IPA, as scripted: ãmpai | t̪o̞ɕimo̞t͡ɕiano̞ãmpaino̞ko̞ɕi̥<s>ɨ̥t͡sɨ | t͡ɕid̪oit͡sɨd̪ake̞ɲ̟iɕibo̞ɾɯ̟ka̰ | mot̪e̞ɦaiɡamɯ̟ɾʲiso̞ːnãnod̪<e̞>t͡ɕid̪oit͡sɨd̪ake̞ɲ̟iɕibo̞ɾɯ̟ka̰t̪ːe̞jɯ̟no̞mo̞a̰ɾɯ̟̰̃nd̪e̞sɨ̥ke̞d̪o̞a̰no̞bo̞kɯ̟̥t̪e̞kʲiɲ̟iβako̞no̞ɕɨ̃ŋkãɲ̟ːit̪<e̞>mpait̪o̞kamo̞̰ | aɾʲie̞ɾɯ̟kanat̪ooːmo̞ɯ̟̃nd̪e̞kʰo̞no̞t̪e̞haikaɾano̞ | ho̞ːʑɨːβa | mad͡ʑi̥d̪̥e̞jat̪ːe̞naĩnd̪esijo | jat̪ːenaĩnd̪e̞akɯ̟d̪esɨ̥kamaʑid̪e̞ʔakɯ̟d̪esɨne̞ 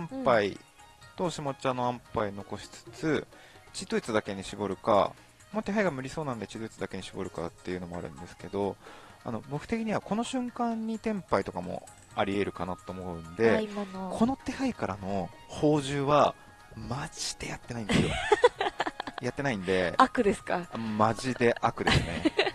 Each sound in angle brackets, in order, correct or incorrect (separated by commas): incorrect, correct, incorrect